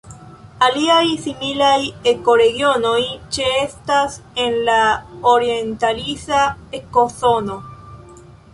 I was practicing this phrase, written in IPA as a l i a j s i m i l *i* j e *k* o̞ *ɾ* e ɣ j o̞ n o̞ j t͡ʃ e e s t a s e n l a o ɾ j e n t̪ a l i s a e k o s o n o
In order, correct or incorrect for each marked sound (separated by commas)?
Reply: incorrect, correct, correct